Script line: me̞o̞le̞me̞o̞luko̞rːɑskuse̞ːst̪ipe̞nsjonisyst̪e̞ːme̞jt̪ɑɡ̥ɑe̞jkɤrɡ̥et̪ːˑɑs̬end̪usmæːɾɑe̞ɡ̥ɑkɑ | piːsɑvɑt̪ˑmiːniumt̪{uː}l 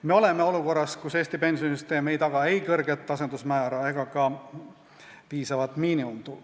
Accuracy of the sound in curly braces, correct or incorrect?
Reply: incorrect